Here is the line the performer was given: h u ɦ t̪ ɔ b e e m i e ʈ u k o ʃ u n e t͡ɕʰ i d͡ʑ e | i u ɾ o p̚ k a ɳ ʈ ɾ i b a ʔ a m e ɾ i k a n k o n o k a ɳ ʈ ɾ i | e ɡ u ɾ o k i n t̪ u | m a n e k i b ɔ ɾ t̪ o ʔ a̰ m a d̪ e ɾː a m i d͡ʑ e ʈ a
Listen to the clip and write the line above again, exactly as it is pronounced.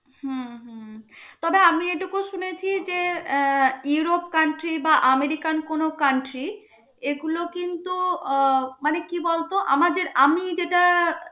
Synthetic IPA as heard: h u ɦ t̪ ɔ b e a m i e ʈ u k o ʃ u n e t͡ɕʰ i d͡ʑ e | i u ɾ o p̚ k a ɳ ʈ ɾ i b a ʔ a m e ɾ i k a n k o n o k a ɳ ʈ ɾ i | e ɡ u l o k i n t̪ u | m a n e k i b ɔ l t̪ o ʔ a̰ m a d̪ e ɾ a m i d͡ʑ e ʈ a